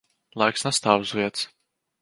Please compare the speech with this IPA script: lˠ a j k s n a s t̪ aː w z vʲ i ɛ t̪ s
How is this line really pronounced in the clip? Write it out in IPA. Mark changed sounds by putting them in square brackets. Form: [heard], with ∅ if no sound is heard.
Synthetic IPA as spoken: lˠ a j k s n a s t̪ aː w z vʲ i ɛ t̪ s